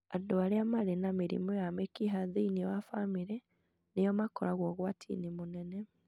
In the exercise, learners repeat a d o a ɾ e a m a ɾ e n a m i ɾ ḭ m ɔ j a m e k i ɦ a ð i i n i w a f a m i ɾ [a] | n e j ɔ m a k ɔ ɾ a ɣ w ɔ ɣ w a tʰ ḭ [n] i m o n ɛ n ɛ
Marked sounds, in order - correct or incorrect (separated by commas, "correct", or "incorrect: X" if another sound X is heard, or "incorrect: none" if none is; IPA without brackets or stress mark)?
incorrect: ɛ, correct